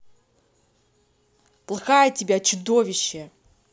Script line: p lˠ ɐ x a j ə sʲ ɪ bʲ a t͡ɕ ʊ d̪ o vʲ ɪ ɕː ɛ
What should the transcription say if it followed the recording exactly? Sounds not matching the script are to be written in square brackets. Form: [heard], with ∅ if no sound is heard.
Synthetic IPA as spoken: p lˠ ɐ x a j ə [tʲ] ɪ bʲ a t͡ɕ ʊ d̪ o vʲ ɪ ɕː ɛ

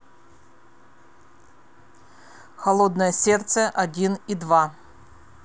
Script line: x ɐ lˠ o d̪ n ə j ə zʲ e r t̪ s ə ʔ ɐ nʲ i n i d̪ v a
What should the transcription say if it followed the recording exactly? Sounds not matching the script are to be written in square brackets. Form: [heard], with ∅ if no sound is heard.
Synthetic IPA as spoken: x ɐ lˠ o d̪ n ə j ə [sʲ] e r t̪ s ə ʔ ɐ [dʲ] i n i d̪ v a

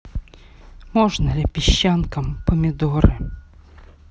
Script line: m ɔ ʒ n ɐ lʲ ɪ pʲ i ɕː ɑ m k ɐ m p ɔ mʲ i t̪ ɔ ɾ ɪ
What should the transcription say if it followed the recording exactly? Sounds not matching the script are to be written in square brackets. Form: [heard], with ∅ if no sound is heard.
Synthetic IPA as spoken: m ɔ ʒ n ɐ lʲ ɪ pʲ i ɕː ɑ [n] k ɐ m p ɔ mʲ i [d̪] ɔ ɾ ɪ

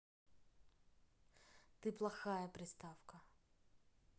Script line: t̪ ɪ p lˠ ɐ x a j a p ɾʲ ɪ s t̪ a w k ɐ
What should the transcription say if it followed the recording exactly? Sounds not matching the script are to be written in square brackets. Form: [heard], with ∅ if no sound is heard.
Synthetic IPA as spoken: t̪ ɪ p lˠ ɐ x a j [ɐ] p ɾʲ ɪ s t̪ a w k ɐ

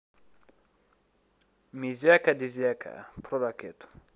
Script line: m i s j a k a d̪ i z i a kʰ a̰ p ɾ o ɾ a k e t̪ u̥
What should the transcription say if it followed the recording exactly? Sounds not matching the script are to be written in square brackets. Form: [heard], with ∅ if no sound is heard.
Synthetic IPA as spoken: m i [z] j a k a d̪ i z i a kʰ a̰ p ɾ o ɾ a k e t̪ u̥

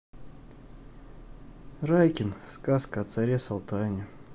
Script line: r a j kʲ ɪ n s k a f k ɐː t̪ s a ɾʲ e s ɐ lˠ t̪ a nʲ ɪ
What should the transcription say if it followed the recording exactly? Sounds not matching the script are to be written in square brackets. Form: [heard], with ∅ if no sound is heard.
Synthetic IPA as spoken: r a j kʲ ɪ n s k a [s] k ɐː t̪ s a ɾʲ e s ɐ lˠ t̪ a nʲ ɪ

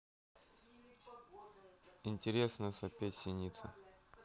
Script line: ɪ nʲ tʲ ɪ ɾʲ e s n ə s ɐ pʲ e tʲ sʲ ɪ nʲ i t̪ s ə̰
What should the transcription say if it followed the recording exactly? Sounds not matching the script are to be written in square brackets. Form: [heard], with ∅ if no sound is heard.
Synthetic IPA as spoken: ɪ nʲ tʲ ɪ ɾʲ e s n ə s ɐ pʲ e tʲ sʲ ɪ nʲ i t̪ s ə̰

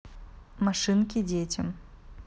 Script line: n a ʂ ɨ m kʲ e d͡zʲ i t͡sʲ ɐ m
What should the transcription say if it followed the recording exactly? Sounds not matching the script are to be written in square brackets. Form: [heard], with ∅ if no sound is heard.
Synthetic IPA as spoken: [m] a ʂ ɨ [n] kʲ [i] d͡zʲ [e] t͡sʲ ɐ m

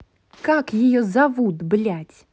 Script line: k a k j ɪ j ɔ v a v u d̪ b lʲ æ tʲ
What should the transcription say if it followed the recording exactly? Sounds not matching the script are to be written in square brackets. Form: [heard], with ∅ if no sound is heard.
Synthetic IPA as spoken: k a k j ɪ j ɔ [z] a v u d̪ b lʲ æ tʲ

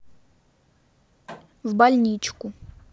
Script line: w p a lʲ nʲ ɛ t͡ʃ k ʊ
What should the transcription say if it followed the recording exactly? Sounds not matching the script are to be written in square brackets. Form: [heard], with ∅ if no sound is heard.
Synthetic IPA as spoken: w [b] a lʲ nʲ [i] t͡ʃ k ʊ

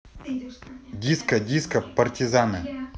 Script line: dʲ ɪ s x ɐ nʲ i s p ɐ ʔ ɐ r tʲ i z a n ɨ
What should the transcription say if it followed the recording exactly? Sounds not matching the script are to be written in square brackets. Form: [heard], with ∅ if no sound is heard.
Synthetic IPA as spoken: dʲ [i] s [k] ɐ [dʲ] i s [k] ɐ [p] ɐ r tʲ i z a n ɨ

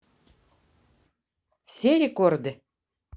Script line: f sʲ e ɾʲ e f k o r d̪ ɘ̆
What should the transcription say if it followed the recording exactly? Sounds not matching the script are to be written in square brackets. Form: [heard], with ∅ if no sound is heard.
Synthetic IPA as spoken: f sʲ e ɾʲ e [∅] k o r d̪ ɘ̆

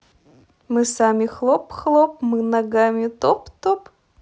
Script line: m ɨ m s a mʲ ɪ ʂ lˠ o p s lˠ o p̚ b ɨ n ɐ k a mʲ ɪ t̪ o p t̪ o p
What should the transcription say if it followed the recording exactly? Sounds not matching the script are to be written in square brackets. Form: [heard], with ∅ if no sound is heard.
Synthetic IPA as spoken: m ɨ [∅] s a mʲ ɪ [x] lˠ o p [x] lˠ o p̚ [m] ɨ n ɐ [ɡ] a mʲ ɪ t̪ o p t̪ o p

